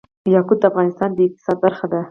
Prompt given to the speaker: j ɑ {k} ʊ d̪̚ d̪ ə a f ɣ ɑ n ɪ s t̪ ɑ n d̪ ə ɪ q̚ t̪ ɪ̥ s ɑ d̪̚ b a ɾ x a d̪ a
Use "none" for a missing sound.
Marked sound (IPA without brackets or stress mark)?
k